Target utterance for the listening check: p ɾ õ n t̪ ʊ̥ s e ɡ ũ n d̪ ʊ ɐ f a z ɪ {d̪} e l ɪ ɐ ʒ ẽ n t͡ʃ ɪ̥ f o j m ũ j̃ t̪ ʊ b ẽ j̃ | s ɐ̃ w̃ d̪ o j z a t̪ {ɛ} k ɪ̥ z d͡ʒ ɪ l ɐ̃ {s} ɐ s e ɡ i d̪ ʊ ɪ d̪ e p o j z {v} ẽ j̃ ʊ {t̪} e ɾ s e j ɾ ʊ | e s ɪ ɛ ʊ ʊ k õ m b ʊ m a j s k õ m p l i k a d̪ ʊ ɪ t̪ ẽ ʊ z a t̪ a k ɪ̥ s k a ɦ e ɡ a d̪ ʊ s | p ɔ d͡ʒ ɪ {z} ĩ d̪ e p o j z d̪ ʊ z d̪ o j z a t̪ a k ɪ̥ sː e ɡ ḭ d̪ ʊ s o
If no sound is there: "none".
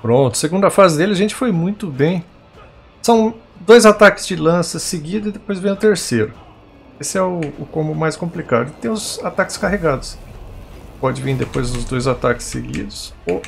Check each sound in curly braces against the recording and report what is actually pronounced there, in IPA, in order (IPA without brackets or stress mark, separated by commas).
d̪, a, s, v, t̪, v